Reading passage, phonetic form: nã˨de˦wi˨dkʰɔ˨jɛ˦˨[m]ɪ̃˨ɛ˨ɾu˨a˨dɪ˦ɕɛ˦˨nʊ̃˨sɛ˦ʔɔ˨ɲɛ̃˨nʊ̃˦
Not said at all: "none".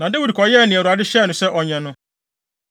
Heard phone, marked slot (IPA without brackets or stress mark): n